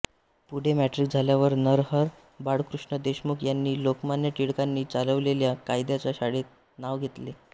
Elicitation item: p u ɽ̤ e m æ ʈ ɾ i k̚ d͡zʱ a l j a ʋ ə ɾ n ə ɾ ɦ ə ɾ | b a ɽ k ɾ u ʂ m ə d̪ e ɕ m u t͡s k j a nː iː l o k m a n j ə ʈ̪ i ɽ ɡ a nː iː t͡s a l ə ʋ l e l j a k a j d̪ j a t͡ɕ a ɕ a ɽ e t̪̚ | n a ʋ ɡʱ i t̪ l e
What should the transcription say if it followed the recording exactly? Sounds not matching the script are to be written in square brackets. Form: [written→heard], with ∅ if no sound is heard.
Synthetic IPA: p u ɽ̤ e m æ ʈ ɾ i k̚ d͡zʱ a l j a ʋ ə ɾ n ə ɾ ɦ ə ɾ | b a ɽ k ɾ u ʂ [m→ɳ] ə d̪ e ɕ m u [t͡s→∅] k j a nː iː l o k m a n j ə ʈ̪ i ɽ [ɡ→k] a nː iː t͡s a l ə ʋ l e l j a k a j d̪ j a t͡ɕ a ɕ a ɽ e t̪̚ | n a ʋ ɡʱ [i→e] t̪ l e

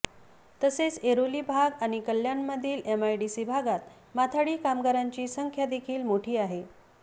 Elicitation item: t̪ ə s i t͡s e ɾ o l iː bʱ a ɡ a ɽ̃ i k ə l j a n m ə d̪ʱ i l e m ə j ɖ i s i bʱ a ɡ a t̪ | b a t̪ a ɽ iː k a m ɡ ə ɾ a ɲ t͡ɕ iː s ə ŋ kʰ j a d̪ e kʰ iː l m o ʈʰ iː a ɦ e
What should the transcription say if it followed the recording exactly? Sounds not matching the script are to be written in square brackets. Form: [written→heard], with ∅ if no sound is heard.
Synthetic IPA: t̪ ə s [i→e] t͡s e ɾ o l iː bʱ a ɡ a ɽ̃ i k ə l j a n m ə d̪ʱ [i→iː] l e m [ə→a] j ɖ i s i bʱ a ɡ a t̪ | [b→m] a [t̪→t̪ʰ] a ɽ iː k a m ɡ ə ɾ a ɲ t͡ɕ iː s ə ŋ kʰ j a d̪ e kʰ iː l m o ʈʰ iː a ɦ e

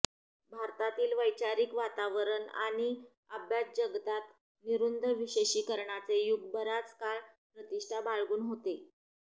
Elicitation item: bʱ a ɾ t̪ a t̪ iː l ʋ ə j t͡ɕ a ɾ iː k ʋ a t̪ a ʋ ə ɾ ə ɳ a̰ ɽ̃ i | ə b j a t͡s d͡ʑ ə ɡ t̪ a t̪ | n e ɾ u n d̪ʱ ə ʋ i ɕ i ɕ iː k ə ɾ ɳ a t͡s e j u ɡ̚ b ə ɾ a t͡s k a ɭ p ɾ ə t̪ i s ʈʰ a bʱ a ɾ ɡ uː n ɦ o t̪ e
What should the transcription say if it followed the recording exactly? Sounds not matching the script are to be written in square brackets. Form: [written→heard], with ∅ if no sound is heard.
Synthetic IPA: bʱ a ɾ t̪ a t̪ iː l ʋ ə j t͡ɕ a ɾ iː k ʋ a t̪ a ʋ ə ɾ ə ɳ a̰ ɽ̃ i | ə b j a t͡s d͡ʑ ə ɡ t̪ a t̪ | n [e→i] ɾ u n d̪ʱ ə ʋ i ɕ [i→e] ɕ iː k ə ɾ ɳ a t͡s e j u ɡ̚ b ə ɾ a t͡s k a ɭ p ɾ ə t̪ i [s→ʂ] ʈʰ a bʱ a [ɾ→ɭ] ɡ uː n ɦ o t̪ e

